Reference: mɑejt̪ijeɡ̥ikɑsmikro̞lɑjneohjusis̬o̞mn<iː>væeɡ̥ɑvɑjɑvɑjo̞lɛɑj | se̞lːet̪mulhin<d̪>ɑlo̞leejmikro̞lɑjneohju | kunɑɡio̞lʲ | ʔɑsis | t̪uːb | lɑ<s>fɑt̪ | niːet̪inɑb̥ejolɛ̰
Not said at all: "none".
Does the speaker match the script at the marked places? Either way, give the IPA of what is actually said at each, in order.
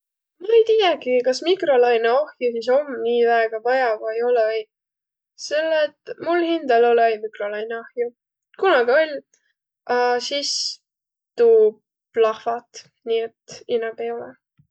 iː, d̪, h

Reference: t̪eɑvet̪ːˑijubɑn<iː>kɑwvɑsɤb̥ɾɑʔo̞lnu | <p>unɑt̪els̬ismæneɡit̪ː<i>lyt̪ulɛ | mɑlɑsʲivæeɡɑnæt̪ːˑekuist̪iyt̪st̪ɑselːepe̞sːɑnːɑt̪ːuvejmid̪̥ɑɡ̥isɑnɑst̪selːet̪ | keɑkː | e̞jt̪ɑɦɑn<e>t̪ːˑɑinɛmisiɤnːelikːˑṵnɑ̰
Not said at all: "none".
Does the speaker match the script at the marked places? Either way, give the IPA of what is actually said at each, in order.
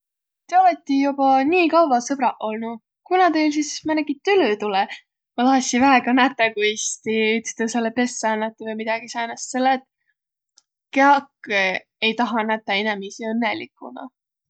iː, k, y, æ

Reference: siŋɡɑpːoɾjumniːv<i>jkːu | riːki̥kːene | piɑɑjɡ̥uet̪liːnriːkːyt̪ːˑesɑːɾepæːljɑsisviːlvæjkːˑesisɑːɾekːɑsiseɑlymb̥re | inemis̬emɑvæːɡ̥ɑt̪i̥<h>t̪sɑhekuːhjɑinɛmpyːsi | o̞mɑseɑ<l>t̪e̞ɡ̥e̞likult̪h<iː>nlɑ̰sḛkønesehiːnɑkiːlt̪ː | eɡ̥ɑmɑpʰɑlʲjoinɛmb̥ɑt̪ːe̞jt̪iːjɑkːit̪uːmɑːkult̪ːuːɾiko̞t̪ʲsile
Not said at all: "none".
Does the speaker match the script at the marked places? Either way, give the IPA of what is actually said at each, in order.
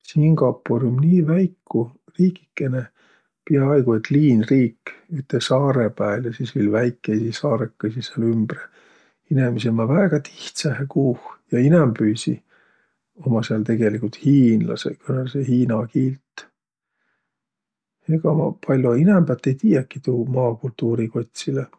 æ, h, l, iː

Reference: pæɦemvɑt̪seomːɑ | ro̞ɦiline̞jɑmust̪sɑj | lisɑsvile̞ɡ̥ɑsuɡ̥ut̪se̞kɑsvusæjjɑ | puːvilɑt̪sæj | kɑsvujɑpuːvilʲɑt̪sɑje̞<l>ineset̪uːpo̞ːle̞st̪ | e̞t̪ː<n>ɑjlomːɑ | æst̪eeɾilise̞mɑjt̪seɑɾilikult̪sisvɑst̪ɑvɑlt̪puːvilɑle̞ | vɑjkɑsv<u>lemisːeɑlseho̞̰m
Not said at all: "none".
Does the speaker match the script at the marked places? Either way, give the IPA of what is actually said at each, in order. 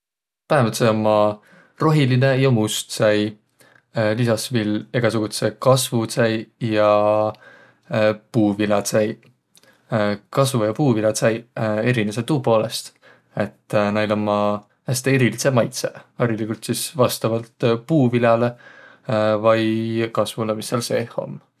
ɾ, n, u

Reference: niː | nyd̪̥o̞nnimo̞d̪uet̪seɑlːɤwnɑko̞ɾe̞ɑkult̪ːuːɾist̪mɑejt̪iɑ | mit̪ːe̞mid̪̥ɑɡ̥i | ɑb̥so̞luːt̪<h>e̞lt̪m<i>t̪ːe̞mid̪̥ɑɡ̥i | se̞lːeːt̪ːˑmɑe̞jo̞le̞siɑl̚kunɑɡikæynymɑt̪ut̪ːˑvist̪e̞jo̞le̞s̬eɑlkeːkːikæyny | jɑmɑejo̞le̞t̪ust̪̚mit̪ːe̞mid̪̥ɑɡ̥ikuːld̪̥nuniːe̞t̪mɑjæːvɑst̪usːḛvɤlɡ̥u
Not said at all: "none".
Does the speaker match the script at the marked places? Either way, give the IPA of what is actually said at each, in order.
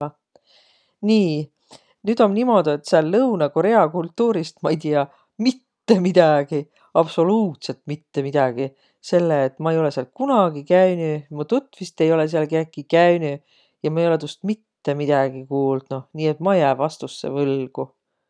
s, i

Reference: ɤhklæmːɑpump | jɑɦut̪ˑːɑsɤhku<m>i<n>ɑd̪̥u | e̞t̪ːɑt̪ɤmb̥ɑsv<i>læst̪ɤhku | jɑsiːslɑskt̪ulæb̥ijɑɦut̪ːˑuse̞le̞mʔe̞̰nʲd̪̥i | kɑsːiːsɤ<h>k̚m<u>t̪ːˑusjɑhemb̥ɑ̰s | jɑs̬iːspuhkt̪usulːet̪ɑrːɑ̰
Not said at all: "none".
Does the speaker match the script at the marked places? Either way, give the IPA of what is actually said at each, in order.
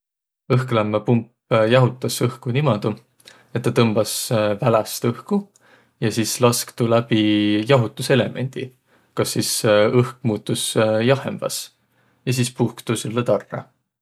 n, m, æ, h, uː

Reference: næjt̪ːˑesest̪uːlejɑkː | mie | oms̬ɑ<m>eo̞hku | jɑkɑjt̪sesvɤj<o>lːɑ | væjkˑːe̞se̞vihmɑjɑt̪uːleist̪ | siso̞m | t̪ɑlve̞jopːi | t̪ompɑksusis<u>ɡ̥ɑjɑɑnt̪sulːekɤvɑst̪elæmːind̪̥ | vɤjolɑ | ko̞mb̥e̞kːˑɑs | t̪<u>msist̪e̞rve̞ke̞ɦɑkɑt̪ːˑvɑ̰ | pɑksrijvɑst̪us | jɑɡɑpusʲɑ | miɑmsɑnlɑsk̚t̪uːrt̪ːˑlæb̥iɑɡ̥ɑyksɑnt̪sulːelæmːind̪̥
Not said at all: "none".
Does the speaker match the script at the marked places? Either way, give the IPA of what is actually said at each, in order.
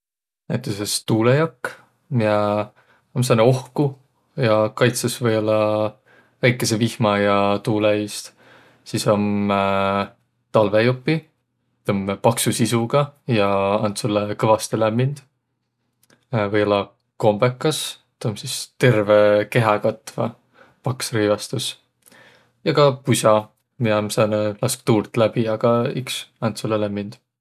n, o, u, o

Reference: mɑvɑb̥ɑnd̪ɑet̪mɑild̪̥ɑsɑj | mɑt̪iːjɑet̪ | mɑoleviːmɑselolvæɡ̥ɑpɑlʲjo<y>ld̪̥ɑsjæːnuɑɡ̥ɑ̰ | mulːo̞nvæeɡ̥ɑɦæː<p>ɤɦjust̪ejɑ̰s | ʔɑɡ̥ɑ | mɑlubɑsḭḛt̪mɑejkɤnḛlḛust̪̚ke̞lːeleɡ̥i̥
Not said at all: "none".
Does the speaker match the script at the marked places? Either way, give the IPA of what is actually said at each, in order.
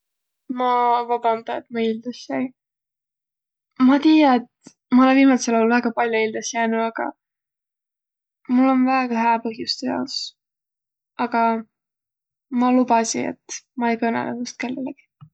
i, p

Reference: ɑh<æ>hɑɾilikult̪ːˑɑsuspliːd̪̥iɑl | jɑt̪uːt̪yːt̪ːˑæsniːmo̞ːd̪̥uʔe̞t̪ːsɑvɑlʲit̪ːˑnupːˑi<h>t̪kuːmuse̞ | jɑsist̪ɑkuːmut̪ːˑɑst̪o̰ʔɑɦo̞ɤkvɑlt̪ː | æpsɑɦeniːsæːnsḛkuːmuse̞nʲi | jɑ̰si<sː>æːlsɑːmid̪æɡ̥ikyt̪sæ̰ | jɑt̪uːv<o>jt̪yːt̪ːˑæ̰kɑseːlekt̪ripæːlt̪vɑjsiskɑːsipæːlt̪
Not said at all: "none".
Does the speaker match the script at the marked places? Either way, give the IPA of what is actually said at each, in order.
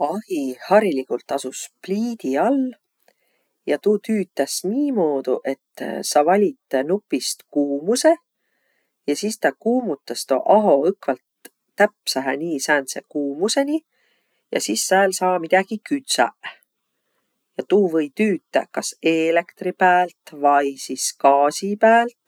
i, s, sː, ɤ

